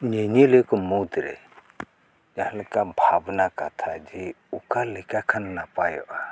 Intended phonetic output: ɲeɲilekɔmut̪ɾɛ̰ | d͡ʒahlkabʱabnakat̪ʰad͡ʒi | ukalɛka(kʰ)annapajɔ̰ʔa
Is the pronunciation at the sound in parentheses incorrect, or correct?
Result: correct